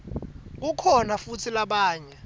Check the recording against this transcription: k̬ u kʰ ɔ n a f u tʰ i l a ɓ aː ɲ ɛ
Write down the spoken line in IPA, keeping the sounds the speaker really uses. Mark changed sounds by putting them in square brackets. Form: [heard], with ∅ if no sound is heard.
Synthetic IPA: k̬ u kʰ ɔ n a f u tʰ i l a ɓ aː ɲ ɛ